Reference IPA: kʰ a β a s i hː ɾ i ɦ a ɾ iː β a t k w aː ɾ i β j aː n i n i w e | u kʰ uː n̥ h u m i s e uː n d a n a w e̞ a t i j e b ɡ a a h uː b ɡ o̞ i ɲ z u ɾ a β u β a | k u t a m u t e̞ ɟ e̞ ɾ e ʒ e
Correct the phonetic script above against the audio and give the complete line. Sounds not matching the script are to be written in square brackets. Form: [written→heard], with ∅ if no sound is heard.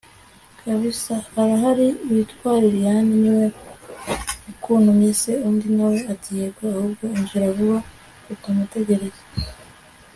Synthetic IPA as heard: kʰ a β [a→i] s [i→a] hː ɾ [i→a] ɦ a ɾ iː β [a→i] t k w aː ɾ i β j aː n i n i w e | u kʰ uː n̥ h u m i s e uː n d [a→i] n a w e̞ a t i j e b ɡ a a h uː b ɡ o̞ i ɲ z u ɾ a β u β a | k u t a m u t e̞ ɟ e̞ ɾ e [ʒ→z] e